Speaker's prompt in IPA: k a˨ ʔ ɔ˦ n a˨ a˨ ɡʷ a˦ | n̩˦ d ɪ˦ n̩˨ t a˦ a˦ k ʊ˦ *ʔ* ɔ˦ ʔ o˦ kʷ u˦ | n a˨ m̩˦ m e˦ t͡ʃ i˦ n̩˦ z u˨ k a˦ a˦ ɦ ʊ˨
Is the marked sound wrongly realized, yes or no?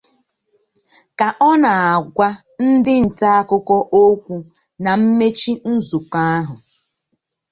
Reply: yes